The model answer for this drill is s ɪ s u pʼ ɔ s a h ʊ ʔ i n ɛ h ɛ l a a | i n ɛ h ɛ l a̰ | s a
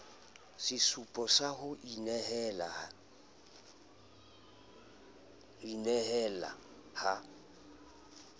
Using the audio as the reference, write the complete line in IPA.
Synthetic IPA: s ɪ s u pʼ ɔ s a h ʊ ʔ i n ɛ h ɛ l a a | i n ɛ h ɛ l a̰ | h a